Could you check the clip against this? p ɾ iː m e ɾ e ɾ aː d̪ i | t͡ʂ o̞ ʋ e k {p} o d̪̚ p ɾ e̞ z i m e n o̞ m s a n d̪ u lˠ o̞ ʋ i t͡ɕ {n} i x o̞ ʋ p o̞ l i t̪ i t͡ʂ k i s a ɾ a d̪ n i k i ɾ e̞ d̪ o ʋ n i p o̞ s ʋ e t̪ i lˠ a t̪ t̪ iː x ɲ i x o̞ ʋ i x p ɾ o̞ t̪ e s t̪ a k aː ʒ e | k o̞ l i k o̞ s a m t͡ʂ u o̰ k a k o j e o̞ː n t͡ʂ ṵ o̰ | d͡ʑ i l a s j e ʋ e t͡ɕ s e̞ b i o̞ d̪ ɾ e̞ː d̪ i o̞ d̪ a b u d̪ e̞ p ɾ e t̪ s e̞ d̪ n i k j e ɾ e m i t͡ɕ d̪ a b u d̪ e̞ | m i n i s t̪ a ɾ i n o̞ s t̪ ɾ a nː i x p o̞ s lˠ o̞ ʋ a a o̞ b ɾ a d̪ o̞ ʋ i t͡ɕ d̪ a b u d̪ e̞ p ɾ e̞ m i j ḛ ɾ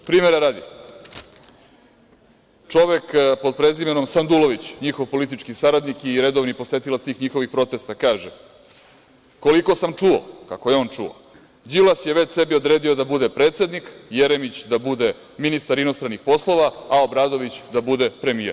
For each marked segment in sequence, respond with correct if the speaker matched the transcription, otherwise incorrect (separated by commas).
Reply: correct, incorrect